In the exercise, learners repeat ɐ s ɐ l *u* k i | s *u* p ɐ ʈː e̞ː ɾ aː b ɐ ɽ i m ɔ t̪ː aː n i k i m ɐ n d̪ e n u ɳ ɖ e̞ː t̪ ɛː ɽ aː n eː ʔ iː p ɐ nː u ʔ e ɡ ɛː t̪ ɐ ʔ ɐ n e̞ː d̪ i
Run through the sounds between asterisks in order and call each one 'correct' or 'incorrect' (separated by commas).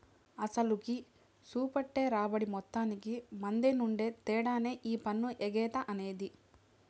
correct, incorrect